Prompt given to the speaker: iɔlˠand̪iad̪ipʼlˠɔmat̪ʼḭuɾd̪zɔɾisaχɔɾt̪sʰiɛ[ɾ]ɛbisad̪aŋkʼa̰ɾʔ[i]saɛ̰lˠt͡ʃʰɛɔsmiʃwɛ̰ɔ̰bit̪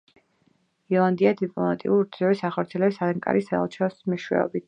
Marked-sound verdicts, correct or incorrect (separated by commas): incorrect, correct